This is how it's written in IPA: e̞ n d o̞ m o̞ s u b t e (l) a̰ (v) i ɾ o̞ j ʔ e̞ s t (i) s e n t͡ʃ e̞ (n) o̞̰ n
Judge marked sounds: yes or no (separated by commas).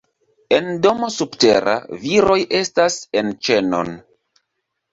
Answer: no, yes, no, yes